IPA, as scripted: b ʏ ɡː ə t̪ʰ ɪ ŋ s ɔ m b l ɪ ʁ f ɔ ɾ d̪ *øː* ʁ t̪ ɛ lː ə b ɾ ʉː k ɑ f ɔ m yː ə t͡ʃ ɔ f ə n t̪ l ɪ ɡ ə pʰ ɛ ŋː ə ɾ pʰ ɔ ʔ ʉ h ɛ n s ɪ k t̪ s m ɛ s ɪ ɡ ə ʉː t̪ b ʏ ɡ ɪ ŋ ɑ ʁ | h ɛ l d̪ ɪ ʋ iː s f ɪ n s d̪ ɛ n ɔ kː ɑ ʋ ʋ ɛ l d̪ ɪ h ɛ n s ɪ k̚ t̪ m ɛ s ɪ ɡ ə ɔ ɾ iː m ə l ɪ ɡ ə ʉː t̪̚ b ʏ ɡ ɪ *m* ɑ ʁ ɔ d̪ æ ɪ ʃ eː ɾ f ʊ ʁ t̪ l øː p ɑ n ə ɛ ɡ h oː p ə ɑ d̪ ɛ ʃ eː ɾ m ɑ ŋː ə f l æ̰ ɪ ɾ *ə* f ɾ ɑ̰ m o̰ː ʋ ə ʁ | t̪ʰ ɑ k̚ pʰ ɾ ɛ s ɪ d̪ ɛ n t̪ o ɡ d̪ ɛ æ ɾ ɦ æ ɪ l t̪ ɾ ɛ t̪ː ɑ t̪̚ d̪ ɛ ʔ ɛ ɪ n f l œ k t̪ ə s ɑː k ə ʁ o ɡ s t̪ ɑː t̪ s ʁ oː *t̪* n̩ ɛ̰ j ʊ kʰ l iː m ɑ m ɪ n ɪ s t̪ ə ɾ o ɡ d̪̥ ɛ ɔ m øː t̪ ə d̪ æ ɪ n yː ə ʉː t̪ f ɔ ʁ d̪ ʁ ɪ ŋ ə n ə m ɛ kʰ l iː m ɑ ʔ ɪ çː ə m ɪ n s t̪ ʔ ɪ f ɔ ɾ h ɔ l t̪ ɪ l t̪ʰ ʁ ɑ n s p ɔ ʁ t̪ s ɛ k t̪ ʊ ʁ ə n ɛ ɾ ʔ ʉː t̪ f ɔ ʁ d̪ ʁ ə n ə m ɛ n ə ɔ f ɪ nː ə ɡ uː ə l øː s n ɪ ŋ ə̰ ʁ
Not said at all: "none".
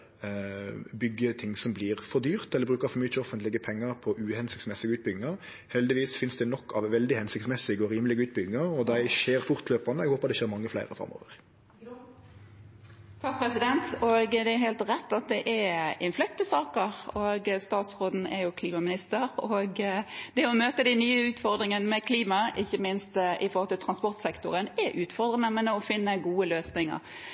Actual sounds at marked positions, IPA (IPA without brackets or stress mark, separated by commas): yː, ŋ, ə, d̪